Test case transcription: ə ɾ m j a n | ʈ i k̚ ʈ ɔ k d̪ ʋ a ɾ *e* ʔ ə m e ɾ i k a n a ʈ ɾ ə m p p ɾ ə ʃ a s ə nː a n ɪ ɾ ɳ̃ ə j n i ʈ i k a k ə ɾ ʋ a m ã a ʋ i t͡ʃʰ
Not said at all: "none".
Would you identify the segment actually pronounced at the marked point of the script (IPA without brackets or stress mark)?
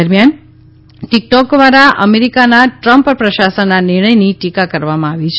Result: a